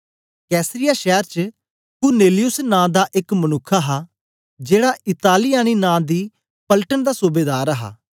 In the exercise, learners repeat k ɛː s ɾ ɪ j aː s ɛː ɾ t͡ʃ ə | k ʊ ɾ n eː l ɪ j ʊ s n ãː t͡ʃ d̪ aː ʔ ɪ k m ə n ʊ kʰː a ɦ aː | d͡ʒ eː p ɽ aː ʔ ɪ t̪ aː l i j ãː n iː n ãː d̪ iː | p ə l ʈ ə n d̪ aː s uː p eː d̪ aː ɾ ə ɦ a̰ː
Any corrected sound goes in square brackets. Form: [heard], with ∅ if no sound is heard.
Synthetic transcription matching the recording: k ɛː s ɾ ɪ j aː [ʃ] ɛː ɾ t͡ʃ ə | k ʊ ɾ n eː l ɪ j ʊ s n ãː [∅] d̪ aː ʔ ɪ k m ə n ʊ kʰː a ɦ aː | d͡ʒ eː [∅] ɽ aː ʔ ɪ t̪ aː l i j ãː n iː n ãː d̪ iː | p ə l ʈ ə n d̪ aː s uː [b] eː d̪ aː ɾ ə ɦ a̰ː